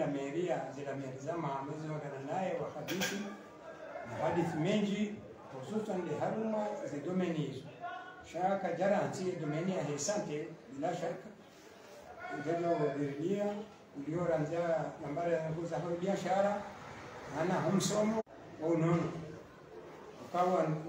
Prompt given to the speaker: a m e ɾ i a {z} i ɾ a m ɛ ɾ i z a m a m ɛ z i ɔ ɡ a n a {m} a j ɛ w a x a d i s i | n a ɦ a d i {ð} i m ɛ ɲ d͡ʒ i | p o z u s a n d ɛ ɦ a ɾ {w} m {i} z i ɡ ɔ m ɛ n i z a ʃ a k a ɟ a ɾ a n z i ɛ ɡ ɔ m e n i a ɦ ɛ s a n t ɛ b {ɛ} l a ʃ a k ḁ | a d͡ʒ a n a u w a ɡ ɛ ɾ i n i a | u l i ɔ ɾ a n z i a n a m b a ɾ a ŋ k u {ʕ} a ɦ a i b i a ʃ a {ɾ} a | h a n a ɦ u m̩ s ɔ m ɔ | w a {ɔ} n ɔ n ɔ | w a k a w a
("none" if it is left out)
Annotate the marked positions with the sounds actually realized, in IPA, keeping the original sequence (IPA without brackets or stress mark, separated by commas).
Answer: z, n, θ, u, a, i, z, ɾ, u